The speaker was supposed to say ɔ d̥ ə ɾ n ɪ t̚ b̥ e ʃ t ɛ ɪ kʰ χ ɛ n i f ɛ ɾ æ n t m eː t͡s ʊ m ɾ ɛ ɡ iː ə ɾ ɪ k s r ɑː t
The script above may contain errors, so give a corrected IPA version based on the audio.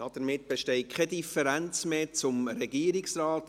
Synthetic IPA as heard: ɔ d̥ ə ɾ m ɪ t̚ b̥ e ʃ t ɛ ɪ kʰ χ ɛ d i f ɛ ɾ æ n t͡s m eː t͡s ʊ m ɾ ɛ ɡ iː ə ɾ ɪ k s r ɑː t